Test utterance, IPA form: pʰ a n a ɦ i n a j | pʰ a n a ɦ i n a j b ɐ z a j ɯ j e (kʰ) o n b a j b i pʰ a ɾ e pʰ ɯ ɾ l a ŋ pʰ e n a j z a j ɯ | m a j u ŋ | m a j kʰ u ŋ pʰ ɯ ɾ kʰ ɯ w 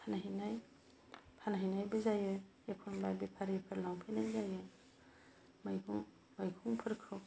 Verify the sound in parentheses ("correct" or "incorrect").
correct